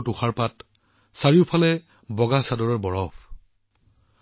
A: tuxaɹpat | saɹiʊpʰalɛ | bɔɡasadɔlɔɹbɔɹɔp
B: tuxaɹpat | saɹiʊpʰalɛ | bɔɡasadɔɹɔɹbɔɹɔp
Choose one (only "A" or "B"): B